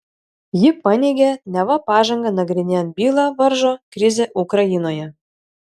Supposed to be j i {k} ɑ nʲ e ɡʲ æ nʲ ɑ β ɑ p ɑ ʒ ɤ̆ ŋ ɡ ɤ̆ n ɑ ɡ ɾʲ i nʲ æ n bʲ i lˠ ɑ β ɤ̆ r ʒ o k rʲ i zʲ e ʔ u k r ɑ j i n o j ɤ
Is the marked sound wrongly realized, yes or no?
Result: yes